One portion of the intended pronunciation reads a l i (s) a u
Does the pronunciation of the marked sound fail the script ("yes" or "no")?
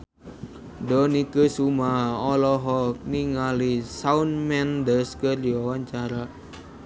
no